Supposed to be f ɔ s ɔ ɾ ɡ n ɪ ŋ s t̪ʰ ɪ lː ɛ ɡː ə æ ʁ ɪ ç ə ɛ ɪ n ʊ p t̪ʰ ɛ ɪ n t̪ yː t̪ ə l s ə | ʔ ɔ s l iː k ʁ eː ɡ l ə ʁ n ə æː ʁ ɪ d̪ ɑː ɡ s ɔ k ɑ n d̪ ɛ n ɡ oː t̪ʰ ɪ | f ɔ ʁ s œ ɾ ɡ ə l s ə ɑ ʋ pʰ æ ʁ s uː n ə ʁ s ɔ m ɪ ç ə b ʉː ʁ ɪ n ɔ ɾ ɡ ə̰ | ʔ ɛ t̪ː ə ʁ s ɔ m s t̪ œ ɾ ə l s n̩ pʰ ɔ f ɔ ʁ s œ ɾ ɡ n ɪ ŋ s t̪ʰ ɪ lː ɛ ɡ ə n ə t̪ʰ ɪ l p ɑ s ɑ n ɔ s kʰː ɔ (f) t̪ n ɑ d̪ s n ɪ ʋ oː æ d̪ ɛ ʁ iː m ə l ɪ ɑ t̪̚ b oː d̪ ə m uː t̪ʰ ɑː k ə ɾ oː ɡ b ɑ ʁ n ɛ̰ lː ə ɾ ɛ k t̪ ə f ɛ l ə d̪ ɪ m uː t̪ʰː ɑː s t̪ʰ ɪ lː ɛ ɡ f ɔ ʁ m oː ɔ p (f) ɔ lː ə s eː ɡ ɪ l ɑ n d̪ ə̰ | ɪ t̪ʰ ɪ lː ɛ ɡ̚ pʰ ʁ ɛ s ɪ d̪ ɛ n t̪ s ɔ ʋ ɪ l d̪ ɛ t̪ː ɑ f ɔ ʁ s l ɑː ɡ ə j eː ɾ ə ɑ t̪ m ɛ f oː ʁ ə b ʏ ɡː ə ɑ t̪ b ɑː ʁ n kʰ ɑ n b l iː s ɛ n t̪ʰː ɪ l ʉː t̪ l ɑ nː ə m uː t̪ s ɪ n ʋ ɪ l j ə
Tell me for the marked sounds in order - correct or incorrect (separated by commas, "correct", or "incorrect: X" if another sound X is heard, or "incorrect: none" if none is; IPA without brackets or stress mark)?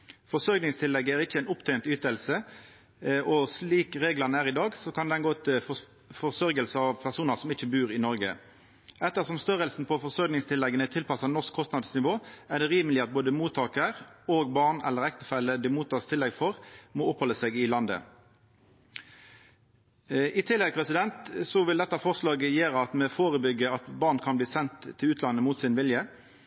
incorrect: s, incorrect: h